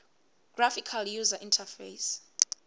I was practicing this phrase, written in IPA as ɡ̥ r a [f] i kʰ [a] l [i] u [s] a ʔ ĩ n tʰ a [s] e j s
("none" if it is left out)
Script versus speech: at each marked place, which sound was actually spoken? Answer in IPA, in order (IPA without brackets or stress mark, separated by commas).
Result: f, a, j, z, f